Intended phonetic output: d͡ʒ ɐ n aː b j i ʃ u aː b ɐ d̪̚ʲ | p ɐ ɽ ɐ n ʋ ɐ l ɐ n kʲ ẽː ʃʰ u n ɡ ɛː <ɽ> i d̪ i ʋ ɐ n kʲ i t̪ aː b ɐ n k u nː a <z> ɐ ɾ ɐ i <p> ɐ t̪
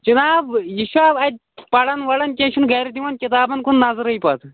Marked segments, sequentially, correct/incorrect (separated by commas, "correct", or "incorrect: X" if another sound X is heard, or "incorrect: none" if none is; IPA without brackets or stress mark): incorrect: ɾ, correct, correct